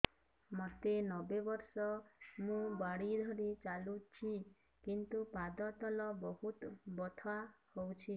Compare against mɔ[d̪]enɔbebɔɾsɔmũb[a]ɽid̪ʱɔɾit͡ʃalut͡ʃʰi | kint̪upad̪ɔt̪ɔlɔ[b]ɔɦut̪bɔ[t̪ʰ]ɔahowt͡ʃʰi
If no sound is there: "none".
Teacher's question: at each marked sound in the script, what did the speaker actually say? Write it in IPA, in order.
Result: t̪, a, b, t̪ʰ

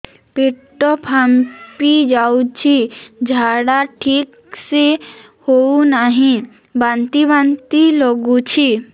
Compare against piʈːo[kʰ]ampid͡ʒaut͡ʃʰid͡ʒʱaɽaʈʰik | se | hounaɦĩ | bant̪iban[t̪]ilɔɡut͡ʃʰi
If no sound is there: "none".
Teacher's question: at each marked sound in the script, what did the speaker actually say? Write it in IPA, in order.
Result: pʰ, t̪

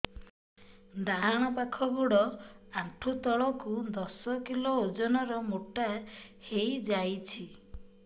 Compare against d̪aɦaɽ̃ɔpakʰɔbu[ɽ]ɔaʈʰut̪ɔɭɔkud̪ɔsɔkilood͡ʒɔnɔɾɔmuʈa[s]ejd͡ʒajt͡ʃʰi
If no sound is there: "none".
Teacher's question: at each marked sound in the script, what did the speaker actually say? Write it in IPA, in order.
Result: ɽ, h

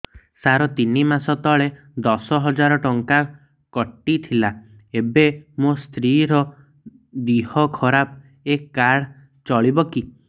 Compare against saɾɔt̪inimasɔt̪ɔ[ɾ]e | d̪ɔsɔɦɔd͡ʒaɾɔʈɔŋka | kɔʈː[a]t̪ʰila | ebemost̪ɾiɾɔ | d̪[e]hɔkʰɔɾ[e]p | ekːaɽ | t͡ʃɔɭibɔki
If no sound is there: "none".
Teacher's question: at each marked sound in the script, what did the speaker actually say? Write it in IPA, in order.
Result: ɭ, i, i, a

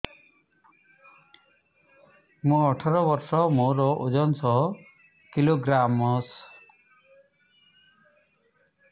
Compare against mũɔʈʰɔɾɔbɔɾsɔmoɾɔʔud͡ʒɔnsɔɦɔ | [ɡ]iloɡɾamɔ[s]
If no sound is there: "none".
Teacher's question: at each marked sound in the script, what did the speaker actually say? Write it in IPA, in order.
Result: k, s

